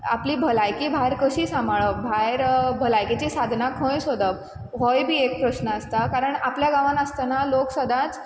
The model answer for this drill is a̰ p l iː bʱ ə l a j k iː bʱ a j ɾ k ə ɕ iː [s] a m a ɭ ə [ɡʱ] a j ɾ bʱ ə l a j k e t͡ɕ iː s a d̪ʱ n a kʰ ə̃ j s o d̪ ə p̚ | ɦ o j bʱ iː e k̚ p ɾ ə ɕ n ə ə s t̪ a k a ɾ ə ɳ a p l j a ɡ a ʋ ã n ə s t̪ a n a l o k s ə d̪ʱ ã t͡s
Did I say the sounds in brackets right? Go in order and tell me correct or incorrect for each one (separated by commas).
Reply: correct, incorrect